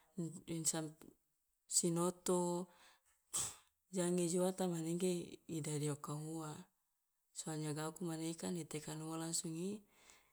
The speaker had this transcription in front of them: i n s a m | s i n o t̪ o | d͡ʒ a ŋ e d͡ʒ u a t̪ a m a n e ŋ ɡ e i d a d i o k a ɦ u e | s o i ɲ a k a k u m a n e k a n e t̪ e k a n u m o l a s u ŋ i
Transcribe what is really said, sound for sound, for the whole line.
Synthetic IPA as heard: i n s a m | s i n o t̪ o | d͡ʒ a ŋ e d͡ʒ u a t̪ a m a n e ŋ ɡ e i d a d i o k a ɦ u a | s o a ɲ a ɡ a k u m a n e k a n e t̪ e k a n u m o l a s u ŋ i

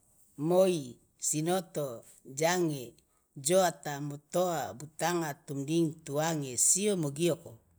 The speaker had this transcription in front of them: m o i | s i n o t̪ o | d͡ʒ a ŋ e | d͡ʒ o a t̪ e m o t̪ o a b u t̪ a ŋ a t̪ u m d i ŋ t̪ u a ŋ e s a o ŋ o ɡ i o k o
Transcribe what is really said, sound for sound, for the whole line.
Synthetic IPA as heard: m o i | s i n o t̪ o | d͡ʒ a ŋ e | d͡ʒ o a t̪ a m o t̪ o a b u t̪ a ŋ a t̪ u m d i ŋ t̪ u a ŋ e s i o m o ɡ i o k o

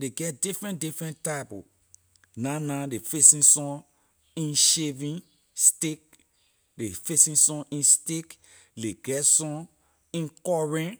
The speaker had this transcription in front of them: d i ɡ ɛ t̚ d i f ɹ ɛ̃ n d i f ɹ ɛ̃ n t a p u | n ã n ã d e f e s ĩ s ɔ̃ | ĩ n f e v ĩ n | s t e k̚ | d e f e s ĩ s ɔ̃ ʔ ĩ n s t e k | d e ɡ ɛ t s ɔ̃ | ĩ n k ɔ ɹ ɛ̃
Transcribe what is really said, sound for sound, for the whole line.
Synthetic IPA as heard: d e ɡ ɛ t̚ d i f ɹ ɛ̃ n d i f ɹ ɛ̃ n t a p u | n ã n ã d e f e s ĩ s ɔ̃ | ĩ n ʃ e v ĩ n | s t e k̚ | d e f e s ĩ s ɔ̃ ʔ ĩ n s t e k | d e ɡ ɛ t s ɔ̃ | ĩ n k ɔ ɹ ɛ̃

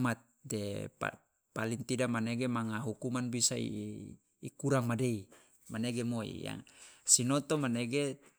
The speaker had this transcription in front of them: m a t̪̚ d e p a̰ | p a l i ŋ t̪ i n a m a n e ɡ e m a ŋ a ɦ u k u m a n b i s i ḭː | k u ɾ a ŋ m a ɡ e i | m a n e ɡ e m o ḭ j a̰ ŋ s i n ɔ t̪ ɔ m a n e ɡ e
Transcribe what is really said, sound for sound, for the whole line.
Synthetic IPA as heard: m a t̪̚ d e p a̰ | p a l i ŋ t̪ i d a m a n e ɡ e m a ŋ a ɦ u k u m a n b i s a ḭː | k u ɾ a ŋ m a d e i | m a n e ɡ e m o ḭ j a̰ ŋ s i n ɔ t̪ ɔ m a n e ɡ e

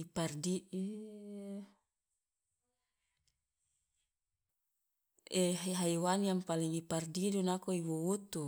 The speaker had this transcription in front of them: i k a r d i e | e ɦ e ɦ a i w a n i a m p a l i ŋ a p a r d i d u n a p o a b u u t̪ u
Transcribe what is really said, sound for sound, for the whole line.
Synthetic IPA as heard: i p a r d i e | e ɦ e ɦ a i w a n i a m p a l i ŋ i p a r d i d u n a k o i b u u t̪ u

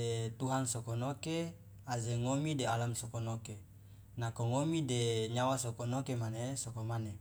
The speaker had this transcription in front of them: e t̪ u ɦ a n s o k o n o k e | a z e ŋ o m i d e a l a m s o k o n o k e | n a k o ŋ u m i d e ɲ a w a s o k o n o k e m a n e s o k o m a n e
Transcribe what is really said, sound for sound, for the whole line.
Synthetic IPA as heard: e t̪ u ɦ a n s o k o n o k e | a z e ŋ o m i d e a l a m s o k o n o k e | n a k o ŋ o m i d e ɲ a w a s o k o n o k e m a n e s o k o m a n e

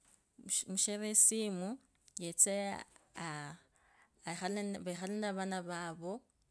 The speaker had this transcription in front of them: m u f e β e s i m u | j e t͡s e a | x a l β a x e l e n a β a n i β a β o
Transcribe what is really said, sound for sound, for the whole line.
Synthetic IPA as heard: m u ʃ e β e s i m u | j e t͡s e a | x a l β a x a l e n a β a n a β a β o

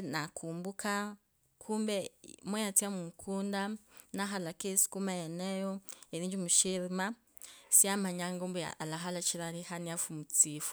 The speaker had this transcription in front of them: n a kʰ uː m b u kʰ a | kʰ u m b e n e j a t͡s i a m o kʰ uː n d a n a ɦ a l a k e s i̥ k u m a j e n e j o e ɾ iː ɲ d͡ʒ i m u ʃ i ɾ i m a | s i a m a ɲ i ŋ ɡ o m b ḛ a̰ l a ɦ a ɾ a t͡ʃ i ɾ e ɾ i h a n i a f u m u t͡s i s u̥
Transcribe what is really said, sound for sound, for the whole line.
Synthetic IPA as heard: n a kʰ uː m b u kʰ a | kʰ u m b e m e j a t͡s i a m u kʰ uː n d a n a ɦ a l a k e s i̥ k u m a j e n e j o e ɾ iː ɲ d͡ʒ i m u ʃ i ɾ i m a | s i a m a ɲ a ŋ ɡ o m b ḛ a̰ l a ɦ a l a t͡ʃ i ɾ a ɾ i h a n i a f u m u t͡s i f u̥

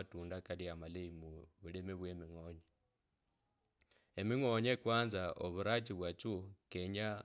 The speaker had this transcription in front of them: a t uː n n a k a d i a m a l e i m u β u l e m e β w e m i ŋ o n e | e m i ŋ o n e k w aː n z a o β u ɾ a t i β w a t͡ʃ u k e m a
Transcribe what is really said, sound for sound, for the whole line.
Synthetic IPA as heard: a t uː n d a k a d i a m a l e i m u β u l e m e β w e m i ŋ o ɲ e | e m i ŋ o ɲ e k w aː n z a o β u ɾ a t i β w a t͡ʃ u k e ɲ a

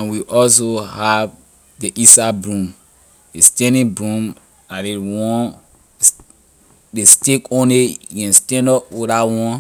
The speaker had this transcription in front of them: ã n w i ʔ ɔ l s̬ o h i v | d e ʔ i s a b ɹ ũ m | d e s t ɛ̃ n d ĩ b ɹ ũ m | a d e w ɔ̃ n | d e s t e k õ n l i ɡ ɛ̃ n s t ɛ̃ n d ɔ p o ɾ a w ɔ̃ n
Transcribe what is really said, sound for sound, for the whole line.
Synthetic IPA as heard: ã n w i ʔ ɔ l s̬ o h a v | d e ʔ i s a b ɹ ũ m | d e s t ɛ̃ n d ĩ b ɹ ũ m | a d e w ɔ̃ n | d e s t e k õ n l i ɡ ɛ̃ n s t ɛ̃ n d ɔ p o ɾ a w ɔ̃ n

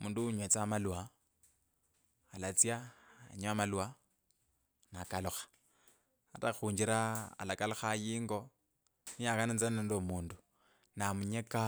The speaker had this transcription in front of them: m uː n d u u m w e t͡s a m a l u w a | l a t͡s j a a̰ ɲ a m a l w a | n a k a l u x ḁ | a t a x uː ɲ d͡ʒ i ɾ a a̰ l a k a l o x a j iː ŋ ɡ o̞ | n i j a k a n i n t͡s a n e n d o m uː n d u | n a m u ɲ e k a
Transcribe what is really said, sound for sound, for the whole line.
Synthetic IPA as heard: m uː n d u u ɲ w e t͡s a m a l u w a | l a t͡s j a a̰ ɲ a m a l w a | n a k a l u x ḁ | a t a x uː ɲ d͡ʒ i ɾ a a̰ l a k a l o x a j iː ŋ ɡ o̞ | n i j a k a n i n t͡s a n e n d o m uː n d u | n a m u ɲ e k a

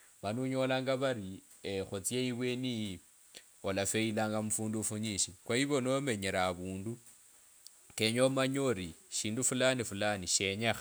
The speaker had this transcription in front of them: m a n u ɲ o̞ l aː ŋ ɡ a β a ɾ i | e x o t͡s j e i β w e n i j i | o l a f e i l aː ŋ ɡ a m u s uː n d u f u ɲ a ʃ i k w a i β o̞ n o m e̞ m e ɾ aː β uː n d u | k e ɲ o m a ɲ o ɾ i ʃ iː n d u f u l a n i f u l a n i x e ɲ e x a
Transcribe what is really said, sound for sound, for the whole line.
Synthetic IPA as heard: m a n u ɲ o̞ l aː ŋ ɡ a β a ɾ i | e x o t͡s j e i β w e n i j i | o l a f e i l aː ŋ ɡ a m u f uː n d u f u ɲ i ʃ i k w a i β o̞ n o m e̞ ɲ e ɾ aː β uː n d u | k e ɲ o m a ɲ o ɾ i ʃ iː n d u f u l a n i f u l a n i ʃ e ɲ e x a

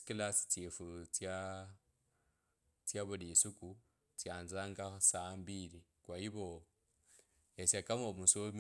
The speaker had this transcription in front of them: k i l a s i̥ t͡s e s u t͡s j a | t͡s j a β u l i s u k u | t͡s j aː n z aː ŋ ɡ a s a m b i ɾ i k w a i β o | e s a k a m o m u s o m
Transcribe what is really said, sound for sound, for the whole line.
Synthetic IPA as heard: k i l a s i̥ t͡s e f u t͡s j a | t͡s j a β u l i s u k u | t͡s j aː n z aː ŋ ɡ a s a m b i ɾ i k w a i β o | e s a k a m o m u s o m

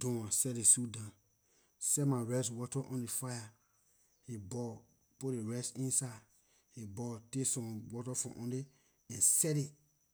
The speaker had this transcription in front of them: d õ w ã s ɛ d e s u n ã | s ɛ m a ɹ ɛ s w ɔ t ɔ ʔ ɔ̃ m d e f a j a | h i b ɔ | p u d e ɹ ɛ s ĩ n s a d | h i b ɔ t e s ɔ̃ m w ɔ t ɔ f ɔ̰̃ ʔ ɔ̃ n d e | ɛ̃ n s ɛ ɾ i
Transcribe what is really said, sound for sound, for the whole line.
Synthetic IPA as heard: d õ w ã s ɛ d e s u d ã | s ɛ m a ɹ ɛ s w ɔ t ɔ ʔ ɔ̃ n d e f a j a | h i b ɔ | p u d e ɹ ɛ s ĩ n s a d | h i b ɔ t e s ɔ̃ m w ɔ t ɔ f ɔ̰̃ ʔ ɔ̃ n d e | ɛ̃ n s ɛ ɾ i

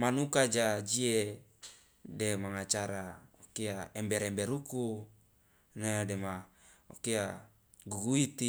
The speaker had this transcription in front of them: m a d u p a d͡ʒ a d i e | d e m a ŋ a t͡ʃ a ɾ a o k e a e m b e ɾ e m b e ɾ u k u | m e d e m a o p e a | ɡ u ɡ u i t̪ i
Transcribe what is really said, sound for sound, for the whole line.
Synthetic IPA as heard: m a n u k a d͡ʒ a d͡ʒ i e | d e m a ŋ a t͡ʃ a ɾ a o k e a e m b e ɾ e m b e ɾ u k u | n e d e m a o k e a | ɡ u ɡ u i t̪ i

